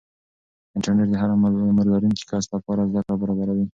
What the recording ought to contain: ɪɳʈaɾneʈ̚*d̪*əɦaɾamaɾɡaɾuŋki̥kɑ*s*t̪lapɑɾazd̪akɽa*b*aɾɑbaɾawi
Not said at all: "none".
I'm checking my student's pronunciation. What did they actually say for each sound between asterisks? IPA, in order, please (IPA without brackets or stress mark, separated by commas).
d̪, s, b